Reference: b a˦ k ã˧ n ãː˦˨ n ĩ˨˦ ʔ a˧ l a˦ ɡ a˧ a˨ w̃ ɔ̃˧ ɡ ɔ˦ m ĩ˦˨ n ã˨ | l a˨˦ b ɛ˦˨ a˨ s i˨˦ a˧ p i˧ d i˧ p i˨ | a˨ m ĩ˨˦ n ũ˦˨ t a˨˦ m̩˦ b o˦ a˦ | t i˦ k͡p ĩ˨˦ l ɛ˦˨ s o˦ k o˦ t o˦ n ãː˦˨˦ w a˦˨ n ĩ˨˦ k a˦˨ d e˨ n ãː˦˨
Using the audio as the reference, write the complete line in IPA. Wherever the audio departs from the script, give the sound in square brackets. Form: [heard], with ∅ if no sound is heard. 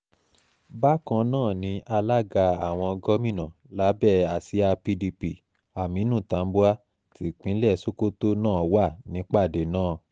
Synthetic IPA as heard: b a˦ k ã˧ n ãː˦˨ n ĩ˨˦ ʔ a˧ l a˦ ɡ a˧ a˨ w̃ ɔ̃˧ ɡ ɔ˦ m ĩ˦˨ n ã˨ | l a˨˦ b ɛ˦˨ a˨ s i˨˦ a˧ p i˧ d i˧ p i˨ | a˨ m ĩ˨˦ n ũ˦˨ t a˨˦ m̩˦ b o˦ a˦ | t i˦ k͡p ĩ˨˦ l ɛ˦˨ s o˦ k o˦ t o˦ n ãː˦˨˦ w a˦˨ n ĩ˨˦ [k͡p] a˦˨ d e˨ n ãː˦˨